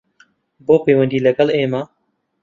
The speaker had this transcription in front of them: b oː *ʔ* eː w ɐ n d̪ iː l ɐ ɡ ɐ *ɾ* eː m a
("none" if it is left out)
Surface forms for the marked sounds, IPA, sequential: p, l

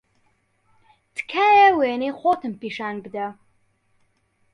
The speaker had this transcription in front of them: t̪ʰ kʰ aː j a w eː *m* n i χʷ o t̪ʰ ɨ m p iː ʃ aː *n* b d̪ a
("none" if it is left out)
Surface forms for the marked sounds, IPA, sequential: none, n

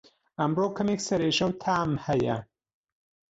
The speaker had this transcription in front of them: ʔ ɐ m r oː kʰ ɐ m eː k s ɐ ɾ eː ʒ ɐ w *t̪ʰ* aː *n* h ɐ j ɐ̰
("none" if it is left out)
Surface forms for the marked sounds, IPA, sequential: t̪ʰ, m

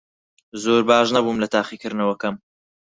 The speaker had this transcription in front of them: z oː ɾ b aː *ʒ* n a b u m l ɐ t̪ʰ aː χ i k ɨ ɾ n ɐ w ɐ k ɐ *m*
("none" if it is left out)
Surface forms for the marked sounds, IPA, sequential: ʒ, m

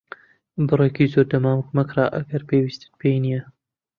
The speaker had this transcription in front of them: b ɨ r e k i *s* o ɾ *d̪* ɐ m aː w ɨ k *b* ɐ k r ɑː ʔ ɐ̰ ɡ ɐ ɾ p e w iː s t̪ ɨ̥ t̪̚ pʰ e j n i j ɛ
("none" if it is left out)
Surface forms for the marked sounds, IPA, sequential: z, d̪, m

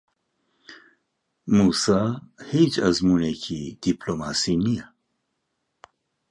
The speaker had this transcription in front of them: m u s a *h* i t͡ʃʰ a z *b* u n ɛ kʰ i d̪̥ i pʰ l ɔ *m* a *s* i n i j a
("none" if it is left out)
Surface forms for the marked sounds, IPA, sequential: h, m, m, s

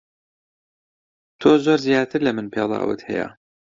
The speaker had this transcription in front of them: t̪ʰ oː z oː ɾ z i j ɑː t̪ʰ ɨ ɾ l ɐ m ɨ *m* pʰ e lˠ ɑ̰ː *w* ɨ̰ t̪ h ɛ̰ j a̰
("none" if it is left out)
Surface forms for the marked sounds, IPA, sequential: n, w

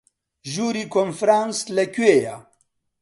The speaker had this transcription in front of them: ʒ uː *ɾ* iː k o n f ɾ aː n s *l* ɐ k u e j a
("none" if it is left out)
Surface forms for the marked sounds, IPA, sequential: ɾ, l

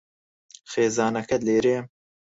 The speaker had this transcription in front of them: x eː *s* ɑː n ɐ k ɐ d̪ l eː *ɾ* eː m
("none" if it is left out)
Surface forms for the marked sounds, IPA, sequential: z, ɾ

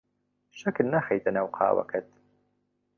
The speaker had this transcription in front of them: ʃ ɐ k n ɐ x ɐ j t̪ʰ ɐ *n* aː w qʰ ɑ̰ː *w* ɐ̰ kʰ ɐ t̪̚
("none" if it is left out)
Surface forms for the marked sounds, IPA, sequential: n, w

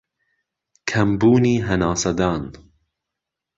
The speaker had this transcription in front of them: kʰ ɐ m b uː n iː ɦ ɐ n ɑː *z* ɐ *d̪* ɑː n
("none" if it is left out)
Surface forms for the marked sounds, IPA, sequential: s, d̪

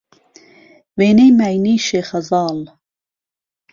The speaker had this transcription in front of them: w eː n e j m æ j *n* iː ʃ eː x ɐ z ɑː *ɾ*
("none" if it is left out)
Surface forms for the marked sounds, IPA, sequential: n, l

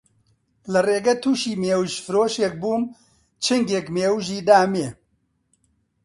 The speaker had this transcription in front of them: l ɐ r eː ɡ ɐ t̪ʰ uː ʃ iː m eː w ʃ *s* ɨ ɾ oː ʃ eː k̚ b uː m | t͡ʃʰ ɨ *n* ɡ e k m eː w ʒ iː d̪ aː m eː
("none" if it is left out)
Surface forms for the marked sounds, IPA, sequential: f, ŋ

